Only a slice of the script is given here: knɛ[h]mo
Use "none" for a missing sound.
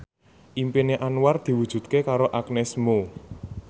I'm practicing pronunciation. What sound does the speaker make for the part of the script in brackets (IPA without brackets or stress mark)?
s